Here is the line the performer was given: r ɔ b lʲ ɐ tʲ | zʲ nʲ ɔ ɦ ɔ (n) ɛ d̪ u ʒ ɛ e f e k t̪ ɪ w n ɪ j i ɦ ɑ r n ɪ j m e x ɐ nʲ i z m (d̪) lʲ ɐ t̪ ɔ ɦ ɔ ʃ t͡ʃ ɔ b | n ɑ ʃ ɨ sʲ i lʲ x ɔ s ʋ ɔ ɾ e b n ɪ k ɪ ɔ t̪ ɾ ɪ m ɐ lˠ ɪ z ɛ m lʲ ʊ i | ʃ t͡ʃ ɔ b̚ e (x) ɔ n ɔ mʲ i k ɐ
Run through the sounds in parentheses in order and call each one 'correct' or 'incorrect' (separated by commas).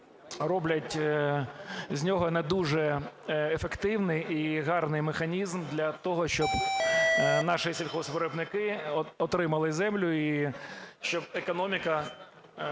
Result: correct, correct, incorrect